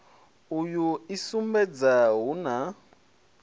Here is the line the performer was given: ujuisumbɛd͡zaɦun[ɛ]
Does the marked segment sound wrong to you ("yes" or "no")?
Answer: yes